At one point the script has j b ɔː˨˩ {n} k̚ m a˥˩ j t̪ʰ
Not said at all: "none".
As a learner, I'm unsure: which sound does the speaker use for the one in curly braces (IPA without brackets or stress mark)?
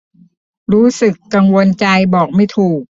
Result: none